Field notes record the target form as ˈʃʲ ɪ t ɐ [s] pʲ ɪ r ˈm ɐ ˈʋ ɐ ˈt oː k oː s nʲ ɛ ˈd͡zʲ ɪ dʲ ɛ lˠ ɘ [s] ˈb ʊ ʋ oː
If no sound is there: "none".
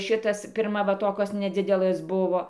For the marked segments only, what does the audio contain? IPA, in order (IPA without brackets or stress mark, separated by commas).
s, s